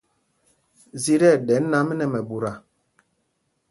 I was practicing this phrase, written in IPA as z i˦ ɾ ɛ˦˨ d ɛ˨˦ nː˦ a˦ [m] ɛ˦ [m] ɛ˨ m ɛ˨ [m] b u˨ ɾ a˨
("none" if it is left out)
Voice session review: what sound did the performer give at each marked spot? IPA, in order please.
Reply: m, n, none

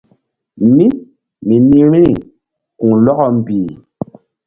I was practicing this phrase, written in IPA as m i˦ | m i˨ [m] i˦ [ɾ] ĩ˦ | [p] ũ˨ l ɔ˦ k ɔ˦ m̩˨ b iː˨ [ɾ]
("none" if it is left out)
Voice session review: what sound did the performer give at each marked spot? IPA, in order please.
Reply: n, ɾ, k, none

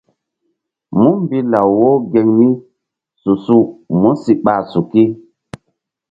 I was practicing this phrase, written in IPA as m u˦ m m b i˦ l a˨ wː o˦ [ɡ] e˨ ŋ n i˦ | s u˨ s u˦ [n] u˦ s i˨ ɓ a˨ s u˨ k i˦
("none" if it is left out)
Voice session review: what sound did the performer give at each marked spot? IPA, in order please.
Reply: ɡ, m

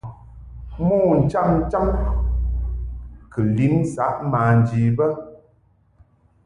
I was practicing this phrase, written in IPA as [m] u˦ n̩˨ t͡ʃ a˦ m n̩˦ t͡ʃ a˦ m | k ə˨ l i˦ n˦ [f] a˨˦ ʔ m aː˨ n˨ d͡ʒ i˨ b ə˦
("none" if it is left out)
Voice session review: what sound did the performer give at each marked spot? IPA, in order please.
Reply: m, s

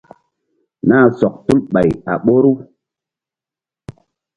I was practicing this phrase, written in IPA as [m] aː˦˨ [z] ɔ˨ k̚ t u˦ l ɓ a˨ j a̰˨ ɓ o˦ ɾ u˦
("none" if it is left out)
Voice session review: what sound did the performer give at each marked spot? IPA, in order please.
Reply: n, s

